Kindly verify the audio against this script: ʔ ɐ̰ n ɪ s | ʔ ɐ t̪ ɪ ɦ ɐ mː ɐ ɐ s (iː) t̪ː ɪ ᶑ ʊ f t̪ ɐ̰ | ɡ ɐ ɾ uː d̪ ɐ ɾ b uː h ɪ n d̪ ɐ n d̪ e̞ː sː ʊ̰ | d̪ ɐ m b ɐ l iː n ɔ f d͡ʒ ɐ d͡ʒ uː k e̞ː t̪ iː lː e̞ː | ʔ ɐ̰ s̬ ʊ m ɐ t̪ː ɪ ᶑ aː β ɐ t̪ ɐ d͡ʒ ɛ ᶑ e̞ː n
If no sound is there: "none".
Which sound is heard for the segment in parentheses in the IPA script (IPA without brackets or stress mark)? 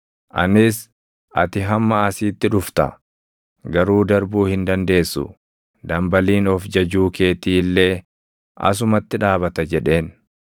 iː